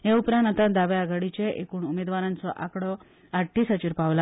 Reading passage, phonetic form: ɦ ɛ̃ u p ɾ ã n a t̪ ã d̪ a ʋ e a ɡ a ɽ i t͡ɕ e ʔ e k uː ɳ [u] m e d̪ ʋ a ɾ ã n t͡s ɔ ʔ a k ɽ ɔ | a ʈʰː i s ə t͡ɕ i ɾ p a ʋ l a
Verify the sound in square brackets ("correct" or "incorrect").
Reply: correct